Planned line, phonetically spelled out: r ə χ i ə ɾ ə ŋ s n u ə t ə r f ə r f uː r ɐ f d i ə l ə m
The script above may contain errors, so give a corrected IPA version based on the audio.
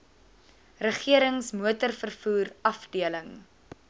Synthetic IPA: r ə χ i ə ɾ ə ŋ s m u ə t ə r f ə r f uː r ɐ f d i ə l ə ŋ